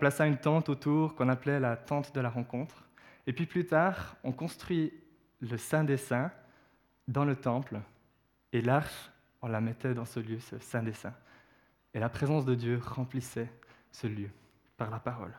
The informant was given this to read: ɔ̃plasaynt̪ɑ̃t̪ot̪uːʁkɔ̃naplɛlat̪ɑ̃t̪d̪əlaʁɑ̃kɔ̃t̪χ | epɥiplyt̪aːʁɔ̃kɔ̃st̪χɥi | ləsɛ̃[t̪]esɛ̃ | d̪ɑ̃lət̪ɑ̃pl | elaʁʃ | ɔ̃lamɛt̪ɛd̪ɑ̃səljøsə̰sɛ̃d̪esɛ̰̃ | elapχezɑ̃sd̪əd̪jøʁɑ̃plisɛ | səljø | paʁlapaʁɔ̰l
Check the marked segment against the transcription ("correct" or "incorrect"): incorrect